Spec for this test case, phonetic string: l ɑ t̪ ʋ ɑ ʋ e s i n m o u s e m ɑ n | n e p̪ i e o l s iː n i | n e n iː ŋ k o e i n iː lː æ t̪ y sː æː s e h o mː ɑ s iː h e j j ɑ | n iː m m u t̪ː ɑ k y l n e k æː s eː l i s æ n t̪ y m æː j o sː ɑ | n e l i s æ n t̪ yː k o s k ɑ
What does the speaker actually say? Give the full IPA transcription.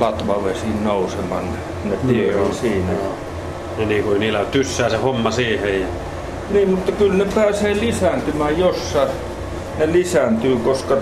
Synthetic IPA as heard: l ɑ t̪ ʋ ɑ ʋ e s i n n o u s e m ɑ n | n e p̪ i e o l s iː n æ | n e n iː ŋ k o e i n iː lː æ t̪ y sː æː s e h o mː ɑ s iː h e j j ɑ | n iː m m u t̪ː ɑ k y l n e p æː s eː l i s æ n t̪ y m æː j o sː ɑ | n e l i s æ n t̪ yː k o s k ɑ